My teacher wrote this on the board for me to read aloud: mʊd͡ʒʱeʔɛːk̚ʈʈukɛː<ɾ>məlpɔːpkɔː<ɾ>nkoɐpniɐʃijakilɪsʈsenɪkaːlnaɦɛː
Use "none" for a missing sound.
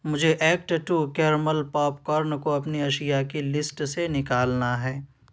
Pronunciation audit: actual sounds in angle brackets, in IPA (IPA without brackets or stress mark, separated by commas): ɾ, ɾ